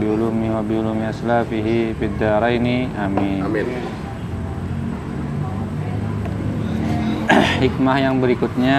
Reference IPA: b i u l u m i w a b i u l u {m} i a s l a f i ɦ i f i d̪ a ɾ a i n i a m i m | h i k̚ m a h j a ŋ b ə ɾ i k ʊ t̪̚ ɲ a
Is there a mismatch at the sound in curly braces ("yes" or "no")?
no